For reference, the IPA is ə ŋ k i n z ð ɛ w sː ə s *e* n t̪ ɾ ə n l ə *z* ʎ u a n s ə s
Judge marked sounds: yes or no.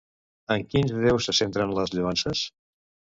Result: yes, yes

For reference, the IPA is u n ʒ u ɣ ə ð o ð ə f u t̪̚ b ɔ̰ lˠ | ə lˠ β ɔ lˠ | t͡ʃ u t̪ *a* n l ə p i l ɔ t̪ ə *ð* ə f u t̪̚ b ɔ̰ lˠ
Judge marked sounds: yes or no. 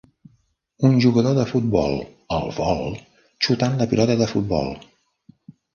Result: yes, yes

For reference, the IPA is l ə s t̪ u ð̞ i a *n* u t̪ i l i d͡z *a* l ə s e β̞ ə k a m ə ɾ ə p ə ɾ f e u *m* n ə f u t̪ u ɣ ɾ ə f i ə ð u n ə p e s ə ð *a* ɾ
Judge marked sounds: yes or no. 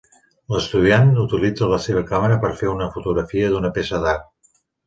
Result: yes, no, no, yes

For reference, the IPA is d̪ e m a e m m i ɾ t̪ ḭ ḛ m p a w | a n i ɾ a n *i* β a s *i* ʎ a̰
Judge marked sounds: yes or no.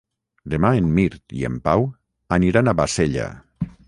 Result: no, no

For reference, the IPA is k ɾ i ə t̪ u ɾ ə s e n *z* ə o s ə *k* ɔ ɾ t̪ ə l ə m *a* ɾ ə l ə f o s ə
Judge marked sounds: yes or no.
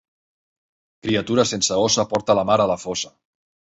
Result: no, no, yes

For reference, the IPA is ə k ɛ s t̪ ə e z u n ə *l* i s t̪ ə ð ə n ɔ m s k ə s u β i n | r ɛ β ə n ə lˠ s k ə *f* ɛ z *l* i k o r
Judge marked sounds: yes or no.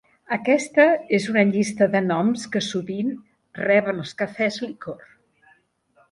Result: no, yes, yes

